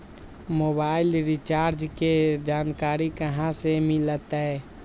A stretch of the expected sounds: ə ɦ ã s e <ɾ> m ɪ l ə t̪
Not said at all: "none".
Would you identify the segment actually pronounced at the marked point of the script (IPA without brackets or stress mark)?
none